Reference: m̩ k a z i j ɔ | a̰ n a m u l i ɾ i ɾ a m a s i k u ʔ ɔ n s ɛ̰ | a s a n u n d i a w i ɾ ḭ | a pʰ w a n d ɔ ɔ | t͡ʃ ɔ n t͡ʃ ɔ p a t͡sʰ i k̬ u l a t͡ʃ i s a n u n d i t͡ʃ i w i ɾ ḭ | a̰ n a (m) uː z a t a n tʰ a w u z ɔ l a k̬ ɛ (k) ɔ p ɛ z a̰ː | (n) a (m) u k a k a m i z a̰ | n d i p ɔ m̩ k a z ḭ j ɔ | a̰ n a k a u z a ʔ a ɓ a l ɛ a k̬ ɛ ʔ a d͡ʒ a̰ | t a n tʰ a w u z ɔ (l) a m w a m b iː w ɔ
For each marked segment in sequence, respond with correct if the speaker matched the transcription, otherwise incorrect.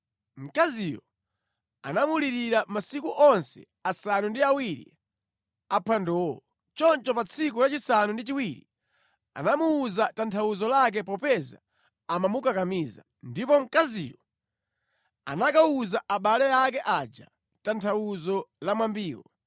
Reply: correct, incorrect: p, incorrect: m, correct, correct

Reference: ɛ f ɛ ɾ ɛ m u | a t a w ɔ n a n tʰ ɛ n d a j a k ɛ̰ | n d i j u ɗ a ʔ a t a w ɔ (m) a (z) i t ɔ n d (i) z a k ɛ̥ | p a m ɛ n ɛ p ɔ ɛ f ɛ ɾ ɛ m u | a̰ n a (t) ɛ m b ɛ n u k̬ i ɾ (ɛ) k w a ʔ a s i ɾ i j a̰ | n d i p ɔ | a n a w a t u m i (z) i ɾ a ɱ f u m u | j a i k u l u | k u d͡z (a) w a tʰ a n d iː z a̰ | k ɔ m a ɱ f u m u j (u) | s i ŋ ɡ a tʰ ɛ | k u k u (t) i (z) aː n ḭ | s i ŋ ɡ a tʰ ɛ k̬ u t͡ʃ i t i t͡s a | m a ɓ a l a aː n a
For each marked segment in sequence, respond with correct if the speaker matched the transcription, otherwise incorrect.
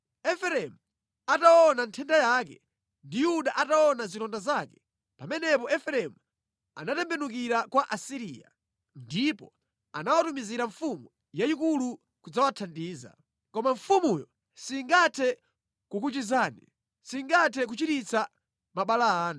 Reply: incorrect: n, correct, incorrect: a, correct, incorrect: a, correct, correct, incorrect: ɔ, incorrect: t͡ʃ, correct

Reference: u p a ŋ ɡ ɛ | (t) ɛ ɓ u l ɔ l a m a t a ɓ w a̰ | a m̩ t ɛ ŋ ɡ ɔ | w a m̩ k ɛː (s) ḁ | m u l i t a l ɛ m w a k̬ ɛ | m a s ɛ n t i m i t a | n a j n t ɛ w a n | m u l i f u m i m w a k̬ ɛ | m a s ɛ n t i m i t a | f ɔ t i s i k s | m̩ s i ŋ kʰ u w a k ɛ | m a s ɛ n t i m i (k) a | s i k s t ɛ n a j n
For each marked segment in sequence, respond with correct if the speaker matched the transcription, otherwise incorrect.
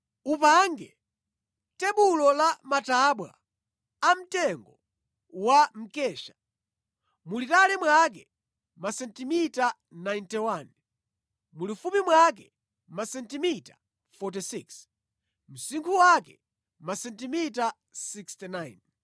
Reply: correct, incorrect: ʃ, incorrect: t

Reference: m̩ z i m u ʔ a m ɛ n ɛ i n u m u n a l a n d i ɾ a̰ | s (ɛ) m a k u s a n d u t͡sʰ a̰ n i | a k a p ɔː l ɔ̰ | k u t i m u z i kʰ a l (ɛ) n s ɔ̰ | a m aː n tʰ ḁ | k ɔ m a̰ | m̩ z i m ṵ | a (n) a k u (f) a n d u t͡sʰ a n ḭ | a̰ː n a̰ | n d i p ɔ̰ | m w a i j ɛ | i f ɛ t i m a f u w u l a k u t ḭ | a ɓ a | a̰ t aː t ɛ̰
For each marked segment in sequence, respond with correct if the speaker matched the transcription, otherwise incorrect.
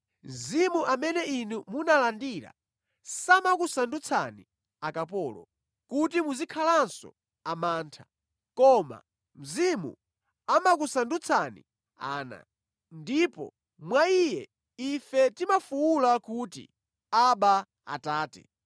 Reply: incorrect: a, incorrect: a, incorrect: m, incorrect: s

